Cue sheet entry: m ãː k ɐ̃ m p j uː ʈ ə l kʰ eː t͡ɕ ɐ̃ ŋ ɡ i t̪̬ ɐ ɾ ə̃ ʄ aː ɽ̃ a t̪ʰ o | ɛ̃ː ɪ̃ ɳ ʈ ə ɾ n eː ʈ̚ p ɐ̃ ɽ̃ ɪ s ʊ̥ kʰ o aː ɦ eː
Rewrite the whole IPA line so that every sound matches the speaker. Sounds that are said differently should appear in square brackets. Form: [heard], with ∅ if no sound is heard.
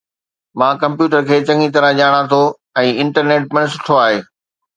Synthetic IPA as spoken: m ãː k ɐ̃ m p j uː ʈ ə [ɾ] kʰ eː t͡ɕ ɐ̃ ŋ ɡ i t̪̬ ɐ ɾ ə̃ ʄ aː ɽ̃ a t̪ʰ o | ɛ̃ː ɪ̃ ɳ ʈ ə ɾ n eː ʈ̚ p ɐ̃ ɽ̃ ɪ s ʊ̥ [ʈʰ] o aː ɦ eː